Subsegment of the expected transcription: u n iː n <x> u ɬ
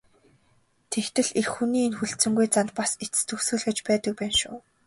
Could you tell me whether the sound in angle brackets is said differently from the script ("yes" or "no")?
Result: no